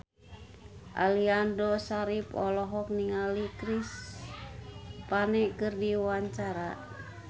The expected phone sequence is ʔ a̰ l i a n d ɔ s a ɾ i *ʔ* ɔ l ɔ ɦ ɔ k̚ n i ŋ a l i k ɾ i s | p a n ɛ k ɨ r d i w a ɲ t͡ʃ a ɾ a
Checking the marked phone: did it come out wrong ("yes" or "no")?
yes